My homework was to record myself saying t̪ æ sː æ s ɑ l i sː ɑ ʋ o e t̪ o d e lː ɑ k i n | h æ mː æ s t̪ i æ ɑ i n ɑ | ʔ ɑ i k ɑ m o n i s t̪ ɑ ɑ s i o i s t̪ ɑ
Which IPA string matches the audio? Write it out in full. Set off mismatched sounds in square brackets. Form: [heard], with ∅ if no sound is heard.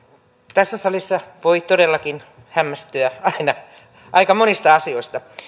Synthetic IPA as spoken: t̪ æ sː æ s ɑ l i sː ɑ ʋ o [i] t̪ o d e lː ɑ k i n | h æ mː æ s t̪ [y] æ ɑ i n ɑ | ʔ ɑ i k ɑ m o n i s t̪ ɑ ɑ s i o i s t̪ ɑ